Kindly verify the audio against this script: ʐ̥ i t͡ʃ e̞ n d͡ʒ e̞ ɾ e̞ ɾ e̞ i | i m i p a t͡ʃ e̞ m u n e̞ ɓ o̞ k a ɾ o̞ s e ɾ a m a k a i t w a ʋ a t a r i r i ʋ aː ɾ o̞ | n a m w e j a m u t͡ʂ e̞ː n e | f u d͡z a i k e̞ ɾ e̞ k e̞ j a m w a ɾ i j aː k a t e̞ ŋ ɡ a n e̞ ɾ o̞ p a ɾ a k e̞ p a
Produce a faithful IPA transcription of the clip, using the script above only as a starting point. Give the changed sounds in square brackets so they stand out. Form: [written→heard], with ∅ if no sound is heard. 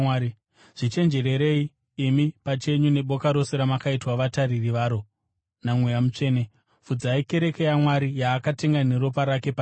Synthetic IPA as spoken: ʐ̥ i t͡ʃ e̞ n d͡ʒ e̞ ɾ e̞ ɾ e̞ i | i m i p a t͡ʃ e̞ [m→ɲ] u n e̞ ɓ o̞ k a ɾ o̞ s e ɾ a m a k a i t w a ʋ a t a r i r i ʋ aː ɾ o̞ | n a m w e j a m u t͡ʂ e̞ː n e | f u d͡z a i k e̞ ɾ e̞ k e̞ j a m w a ɾ i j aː k a t e̞ ŋ ɡ a n e̞ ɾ o̞ p a ɾ a k e̞ p a